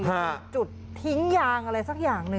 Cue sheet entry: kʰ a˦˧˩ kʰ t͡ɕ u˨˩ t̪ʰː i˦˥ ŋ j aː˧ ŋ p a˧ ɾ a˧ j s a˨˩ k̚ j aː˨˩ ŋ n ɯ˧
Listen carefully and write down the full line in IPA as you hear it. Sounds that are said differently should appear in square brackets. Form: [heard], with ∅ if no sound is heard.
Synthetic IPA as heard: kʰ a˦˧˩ [∅] t͡ɕ u˨˩ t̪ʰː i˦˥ ŋ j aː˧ ŋ [ʔ] a˧ ɾ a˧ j s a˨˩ k̚ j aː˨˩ ŋ n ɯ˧